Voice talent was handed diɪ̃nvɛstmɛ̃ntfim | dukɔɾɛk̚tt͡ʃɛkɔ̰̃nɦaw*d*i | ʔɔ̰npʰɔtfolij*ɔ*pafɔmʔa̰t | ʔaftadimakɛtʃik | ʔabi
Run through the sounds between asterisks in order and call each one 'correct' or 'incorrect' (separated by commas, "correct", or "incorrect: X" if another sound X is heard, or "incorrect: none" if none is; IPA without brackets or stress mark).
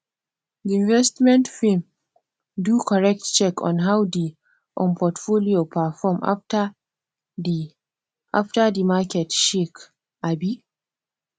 correct, incorrect: o